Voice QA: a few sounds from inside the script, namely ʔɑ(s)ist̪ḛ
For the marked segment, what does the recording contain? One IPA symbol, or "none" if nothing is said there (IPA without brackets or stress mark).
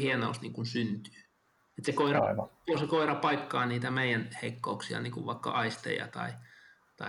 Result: none